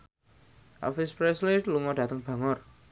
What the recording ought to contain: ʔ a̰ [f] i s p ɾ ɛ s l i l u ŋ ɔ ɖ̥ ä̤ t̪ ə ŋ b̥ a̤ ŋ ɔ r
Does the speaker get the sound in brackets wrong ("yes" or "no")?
no